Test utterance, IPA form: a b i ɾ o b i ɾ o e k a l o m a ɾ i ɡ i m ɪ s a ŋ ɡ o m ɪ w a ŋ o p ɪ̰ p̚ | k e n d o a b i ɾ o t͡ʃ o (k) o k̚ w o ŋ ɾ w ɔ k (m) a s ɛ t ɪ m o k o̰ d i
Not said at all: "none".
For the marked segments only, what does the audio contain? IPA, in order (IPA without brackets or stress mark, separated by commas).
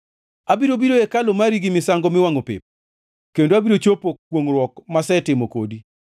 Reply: p, m